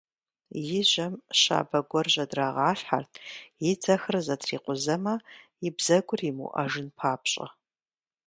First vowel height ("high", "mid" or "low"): high